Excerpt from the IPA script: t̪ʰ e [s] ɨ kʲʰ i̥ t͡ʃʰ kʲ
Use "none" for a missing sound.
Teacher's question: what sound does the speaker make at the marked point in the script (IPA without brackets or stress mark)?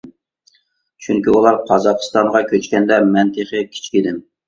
χ